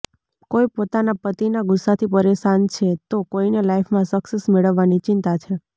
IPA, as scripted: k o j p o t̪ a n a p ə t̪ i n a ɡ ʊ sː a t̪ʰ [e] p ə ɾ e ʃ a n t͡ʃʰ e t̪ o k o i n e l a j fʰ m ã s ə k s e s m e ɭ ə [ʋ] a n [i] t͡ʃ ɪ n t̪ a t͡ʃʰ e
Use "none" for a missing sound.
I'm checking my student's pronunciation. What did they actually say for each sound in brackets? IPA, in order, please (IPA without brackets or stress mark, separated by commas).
i, ʋː, i